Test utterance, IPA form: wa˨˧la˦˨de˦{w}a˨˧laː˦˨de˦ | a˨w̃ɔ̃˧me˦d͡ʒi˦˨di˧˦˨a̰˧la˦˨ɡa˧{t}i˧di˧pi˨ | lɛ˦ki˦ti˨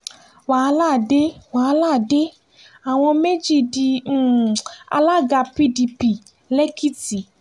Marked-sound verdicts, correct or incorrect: correct, incorrect

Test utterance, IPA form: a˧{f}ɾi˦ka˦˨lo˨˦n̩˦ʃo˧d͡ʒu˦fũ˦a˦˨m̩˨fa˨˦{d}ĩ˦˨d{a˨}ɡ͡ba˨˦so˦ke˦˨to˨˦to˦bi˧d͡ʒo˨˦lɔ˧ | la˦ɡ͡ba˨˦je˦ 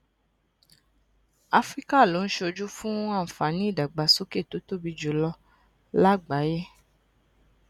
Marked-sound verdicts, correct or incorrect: correct, incorrect, correct

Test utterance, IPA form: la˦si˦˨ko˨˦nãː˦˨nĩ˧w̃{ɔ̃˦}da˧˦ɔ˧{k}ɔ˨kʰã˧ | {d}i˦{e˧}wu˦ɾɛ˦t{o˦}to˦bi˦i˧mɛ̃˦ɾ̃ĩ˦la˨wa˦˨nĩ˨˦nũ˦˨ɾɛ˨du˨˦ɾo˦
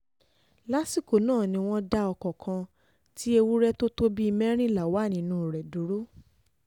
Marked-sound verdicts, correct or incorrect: correct, correct, incorrect, correct, correct

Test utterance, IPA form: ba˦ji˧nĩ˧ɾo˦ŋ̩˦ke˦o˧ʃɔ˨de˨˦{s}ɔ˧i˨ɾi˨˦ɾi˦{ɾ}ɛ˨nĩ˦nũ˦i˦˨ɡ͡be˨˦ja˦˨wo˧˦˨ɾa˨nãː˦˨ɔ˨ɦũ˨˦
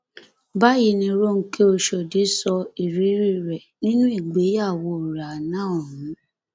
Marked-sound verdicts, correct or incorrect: correct, correct

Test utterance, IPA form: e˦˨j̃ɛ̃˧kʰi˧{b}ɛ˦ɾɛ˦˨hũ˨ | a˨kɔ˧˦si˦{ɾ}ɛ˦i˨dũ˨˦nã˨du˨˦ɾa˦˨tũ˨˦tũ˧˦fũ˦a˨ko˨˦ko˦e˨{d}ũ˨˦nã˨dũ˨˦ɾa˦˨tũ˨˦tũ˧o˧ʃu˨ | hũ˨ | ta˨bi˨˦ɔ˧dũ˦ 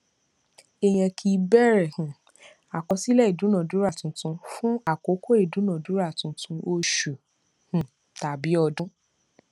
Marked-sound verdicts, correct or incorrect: correct, incorrect, correct

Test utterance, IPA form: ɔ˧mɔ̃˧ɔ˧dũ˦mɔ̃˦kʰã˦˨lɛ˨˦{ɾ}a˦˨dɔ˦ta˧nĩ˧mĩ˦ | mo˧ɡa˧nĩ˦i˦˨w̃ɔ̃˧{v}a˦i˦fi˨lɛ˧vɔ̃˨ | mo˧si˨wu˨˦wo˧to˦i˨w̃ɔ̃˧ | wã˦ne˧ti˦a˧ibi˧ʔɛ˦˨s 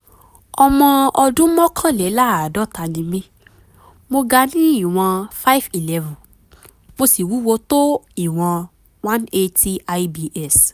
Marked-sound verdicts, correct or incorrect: incorrect, incorrect

